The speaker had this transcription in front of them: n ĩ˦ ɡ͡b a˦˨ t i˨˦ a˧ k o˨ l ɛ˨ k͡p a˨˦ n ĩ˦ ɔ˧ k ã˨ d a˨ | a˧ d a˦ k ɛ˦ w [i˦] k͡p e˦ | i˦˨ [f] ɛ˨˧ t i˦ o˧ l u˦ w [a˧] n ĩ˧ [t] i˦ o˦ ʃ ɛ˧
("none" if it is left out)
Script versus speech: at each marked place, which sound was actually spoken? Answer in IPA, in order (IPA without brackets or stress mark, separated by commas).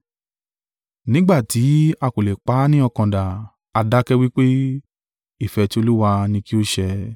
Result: i˦, f, a˧, k